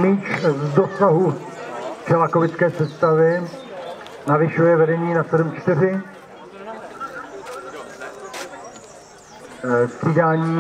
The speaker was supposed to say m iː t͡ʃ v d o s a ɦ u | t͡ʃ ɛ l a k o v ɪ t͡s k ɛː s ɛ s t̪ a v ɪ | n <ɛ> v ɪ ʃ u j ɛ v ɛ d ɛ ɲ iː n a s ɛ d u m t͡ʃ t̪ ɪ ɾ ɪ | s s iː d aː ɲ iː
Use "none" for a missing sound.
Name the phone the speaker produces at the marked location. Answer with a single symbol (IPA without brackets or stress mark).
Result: a